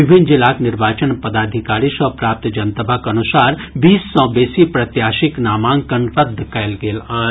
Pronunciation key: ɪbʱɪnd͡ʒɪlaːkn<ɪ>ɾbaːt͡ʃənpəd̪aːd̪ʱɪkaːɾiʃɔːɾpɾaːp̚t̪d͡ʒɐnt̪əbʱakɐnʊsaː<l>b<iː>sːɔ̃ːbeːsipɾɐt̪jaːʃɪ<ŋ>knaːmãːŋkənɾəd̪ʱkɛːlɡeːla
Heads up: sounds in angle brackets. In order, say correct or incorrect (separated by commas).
correct, incorrect, correct, incorrect